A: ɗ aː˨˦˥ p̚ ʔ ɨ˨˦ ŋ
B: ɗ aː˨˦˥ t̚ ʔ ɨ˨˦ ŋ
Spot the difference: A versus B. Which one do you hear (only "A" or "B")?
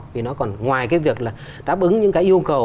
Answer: A